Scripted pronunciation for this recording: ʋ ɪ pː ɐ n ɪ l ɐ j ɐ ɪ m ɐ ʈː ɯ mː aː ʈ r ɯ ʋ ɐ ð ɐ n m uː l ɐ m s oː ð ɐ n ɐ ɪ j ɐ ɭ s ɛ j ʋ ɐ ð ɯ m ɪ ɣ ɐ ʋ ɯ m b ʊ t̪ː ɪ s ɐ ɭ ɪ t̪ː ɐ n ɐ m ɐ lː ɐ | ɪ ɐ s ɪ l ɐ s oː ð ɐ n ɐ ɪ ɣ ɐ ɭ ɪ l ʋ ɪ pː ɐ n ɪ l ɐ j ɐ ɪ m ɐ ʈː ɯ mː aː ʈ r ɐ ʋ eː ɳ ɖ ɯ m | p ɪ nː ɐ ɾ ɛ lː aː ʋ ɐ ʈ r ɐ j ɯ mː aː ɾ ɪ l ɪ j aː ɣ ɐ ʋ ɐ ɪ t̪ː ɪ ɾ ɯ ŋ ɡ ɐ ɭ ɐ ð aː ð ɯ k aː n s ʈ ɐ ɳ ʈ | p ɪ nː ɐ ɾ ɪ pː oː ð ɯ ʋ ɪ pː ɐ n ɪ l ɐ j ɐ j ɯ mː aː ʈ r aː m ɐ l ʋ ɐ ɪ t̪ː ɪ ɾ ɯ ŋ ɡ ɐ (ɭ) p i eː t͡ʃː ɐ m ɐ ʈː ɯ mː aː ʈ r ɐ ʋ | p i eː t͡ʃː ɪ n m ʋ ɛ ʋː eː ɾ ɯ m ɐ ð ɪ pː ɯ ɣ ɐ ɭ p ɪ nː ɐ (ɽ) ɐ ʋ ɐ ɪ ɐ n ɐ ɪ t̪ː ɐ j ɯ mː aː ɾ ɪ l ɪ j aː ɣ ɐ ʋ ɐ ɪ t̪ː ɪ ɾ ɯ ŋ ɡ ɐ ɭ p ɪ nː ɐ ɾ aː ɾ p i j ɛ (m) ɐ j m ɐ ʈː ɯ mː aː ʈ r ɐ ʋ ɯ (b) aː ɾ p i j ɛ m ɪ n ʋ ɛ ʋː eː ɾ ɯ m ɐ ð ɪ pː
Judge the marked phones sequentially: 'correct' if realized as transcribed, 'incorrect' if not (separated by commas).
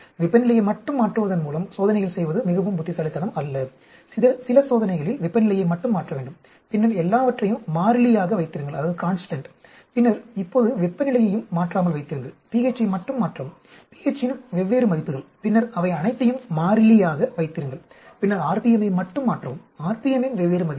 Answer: correct, incorrect, correct, incorrect